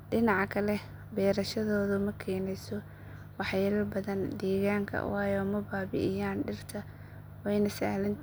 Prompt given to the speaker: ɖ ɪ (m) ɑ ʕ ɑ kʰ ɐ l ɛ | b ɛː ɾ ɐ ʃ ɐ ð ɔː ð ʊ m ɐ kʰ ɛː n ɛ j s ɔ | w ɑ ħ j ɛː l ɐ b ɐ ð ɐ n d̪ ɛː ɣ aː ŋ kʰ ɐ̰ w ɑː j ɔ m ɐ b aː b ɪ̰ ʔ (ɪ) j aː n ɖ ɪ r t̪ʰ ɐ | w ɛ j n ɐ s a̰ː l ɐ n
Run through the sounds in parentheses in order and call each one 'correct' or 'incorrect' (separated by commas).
incorrect, correct